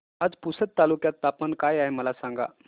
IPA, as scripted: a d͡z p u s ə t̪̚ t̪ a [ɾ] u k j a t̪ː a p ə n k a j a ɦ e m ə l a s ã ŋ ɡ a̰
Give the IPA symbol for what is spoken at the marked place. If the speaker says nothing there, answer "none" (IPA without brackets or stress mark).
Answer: l